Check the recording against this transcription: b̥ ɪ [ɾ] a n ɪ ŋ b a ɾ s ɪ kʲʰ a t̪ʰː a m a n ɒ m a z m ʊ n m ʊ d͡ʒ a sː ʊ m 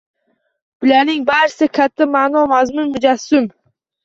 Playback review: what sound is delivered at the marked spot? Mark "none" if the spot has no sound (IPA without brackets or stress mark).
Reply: l